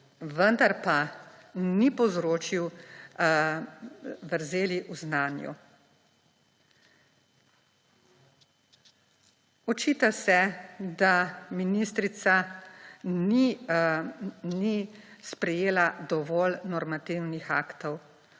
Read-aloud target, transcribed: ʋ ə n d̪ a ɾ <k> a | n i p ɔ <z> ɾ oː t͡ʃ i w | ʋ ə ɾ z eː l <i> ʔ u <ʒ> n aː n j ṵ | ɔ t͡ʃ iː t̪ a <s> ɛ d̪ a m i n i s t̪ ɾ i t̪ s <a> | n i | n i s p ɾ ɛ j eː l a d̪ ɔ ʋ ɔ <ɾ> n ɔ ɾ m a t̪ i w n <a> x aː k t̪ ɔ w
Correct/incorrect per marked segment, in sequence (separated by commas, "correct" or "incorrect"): incorrect, correct, correct, incorrect, correct, correct, incorrect, incorrect